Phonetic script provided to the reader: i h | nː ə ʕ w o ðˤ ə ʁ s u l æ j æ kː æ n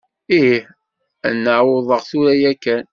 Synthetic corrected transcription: i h | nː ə ʕ w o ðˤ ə ʁ θ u ɾ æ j æ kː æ n